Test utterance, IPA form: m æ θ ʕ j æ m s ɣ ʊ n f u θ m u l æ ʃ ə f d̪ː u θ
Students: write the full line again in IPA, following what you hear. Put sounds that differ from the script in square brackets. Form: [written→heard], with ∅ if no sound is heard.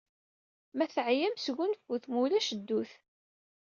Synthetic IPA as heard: m æ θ ʕ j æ m s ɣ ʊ n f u θ m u l æ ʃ ə [f→∅] d̪ː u θ